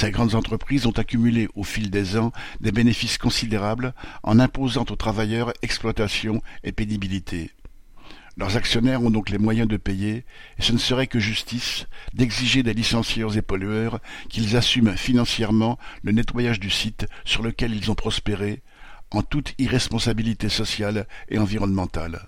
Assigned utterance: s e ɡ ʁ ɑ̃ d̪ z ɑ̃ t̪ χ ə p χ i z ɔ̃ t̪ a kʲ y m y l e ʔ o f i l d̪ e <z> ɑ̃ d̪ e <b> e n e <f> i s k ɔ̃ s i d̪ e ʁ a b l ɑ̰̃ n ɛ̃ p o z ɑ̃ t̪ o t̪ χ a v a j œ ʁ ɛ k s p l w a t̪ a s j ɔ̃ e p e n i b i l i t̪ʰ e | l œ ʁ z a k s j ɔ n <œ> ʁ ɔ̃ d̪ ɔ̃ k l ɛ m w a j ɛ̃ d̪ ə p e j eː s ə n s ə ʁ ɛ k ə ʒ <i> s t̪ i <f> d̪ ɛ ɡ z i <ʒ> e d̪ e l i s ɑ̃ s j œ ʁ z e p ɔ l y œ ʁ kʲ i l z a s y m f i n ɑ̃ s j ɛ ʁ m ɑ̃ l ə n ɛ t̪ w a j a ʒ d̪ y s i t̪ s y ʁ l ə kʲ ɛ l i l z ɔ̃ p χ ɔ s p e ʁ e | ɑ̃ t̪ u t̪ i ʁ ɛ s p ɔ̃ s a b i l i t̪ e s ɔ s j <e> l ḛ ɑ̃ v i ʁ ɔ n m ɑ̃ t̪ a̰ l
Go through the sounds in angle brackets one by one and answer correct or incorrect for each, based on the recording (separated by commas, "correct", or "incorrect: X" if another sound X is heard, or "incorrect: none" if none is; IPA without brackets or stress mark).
correct, correct, correct, incorrect: ɛ, incorrect: y, incorrect: s, correct, incorrect: a